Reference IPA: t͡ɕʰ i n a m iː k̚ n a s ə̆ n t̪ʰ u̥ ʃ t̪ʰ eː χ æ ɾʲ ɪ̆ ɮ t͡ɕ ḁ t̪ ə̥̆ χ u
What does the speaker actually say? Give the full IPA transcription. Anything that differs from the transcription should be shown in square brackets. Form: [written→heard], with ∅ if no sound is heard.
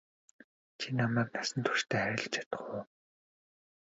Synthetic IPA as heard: t͡ɕʰ i n a m [iː→æː] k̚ n a s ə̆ n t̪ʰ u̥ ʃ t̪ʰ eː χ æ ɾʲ ɪ̆ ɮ [t͡ɕ→t͡ɕʰ] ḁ t̪ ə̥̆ χ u